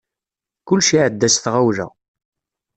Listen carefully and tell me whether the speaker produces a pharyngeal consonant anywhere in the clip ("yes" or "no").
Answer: yes